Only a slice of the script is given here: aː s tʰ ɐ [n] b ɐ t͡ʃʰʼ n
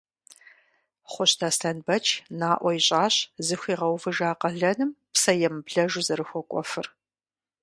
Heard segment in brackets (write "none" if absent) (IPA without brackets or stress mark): n